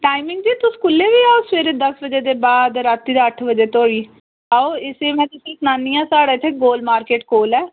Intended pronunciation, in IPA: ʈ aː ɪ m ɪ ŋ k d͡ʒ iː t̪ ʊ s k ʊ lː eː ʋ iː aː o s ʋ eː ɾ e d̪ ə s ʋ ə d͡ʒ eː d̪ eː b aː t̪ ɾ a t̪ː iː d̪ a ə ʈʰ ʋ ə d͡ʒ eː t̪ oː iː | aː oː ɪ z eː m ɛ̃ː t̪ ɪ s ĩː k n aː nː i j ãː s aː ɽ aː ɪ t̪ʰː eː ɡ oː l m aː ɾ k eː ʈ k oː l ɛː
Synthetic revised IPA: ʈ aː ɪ m ɪ ŋ ɡ d͡ʒ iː t̪ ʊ s k ʊ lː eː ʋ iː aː o s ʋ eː ɾ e d̪ ə s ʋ ə d͡ʒ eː d̪ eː b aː d̪ ɾ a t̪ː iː d̪ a ə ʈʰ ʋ ə d͡ʒ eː t̪ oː iː | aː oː ɪ s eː m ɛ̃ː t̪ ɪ s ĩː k n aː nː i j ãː s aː ɽ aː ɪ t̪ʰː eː ɡ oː l m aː ɾ k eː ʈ k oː l ɛː

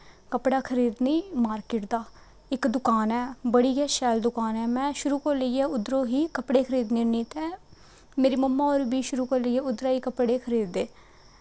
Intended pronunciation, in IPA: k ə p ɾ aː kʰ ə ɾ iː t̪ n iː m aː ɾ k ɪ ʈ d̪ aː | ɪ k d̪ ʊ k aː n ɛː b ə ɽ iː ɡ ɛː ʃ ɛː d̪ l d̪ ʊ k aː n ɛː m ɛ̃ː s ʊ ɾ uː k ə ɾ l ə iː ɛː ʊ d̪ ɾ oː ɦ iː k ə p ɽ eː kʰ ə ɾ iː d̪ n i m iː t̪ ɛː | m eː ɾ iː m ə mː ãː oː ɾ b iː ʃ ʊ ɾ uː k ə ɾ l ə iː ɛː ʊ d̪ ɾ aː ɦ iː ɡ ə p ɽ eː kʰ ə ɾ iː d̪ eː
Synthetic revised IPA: k ə p ɽ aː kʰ ə ɾ iː d̪ n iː m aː ɾ k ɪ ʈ d̪ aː | ɪ k d̪ ʊ k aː n ɛː b ə ɽ iː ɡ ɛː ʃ ɛː l d̪ ʊ k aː n ɛː m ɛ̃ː ʃ ʊ ɾ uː k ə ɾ l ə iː ɛː ʊ d̪ ɾ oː ɦ iː k ə p ɽ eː kʰ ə ɾ iː d̪ n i n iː t̪ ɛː | m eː ɾ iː m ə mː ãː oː ɾ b iː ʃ ʊ ɾ uː k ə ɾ l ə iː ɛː ʊ d̪ ɾ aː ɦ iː k ə p ɽ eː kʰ ə ɾ iː d̪ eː

